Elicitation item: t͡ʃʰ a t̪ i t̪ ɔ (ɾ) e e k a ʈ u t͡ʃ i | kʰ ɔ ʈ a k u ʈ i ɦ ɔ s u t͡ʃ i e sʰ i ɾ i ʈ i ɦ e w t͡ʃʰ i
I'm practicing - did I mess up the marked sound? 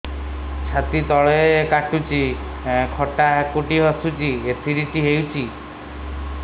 yes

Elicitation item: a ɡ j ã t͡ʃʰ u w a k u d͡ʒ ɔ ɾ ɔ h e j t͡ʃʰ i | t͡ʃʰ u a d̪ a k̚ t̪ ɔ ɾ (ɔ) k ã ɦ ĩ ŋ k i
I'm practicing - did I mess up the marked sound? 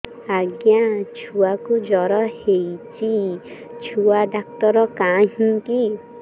no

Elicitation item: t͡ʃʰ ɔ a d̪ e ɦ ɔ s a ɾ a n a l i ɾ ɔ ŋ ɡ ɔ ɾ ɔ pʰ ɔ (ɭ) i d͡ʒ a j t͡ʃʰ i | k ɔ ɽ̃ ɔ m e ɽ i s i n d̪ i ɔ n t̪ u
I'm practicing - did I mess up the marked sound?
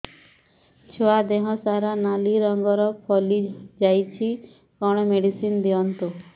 yes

